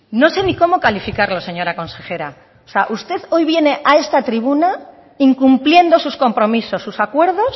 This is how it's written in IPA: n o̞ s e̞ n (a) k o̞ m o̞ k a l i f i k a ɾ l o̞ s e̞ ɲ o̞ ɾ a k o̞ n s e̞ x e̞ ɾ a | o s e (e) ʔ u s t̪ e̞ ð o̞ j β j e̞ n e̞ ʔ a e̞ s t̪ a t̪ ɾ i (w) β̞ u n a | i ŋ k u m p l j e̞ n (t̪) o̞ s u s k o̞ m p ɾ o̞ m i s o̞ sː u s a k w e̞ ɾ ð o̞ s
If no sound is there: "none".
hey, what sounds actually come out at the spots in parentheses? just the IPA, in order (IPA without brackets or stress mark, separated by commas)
i, a, none, d̪